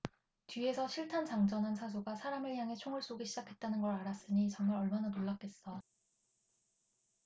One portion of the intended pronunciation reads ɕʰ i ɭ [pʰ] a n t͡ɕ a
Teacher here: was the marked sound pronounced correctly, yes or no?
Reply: no